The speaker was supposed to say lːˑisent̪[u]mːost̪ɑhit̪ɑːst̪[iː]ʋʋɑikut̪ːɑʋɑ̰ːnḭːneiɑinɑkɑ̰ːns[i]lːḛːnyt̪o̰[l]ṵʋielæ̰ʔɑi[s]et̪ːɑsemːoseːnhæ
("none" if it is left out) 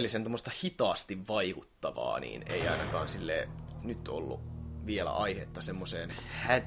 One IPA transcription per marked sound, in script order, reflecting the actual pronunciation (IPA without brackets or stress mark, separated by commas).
o, i, i, lː, h